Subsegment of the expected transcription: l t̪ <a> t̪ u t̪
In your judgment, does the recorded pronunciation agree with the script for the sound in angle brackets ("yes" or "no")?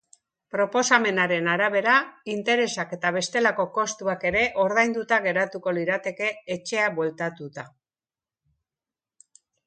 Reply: yes